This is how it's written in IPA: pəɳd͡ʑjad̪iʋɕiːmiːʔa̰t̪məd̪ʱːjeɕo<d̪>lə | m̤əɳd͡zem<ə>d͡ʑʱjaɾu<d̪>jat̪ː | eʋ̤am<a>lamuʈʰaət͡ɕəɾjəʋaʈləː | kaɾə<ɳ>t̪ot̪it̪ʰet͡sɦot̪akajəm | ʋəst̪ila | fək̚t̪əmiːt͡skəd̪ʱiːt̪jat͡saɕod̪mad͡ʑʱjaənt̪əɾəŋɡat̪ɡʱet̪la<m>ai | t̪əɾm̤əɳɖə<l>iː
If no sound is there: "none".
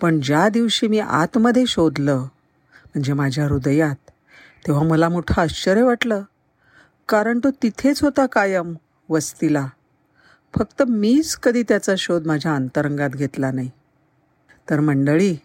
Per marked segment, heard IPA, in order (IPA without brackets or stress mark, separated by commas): d̪, a, d̪, ə, ɳ, n, ɭ